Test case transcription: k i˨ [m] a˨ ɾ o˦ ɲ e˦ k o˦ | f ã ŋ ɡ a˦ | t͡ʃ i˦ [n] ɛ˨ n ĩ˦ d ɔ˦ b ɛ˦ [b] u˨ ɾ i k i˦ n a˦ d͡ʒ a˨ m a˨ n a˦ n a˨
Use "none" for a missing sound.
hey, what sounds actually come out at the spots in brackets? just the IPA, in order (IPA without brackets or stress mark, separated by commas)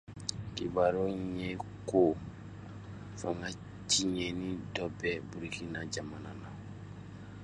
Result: b, ɲ, b